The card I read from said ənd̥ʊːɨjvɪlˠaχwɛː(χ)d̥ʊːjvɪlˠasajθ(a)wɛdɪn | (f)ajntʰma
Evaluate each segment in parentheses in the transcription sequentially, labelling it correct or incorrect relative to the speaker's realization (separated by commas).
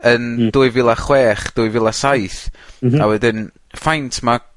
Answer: correct, correct, correct